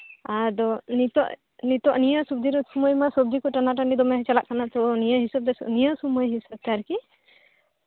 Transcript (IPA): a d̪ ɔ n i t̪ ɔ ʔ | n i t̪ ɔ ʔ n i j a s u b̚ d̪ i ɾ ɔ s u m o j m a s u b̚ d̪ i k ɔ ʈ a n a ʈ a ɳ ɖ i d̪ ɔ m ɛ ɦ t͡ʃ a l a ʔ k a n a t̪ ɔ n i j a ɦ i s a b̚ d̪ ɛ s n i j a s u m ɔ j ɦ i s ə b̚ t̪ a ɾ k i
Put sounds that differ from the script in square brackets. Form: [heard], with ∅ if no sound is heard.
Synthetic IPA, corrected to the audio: a d̪ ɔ n i t̪ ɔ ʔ | n i t̪ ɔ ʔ n i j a s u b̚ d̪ i ɾ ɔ s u m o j m a s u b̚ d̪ i k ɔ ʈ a n a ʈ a ɳ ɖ i d̪ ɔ m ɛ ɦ t͡ʃ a l a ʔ k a n a t̪ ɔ n i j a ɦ i s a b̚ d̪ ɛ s n i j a s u m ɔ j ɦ i s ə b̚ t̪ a ɾ k i